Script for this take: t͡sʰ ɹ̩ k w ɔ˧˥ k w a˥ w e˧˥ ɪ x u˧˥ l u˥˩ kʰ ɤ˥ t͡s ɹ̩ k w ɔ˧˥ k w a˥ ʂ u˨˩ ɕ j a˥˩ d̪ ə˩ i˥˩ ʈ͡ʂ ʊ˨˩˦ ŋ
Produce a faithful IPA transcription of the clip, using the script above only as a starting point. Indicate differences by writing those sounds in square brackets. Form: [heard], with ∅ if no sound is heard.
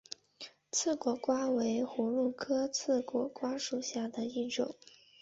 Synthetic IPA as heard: t͡sʰ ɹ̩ k w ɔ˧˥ k w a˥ w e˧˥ ɪ x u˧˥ l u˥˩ kʰ ɤ˥ [t͡sʰ] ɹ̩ k w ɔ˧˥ k w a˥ ʂ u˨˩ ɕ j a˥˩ d̪ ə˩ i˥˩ ʈ͡ʂ ʊ˨˩˦ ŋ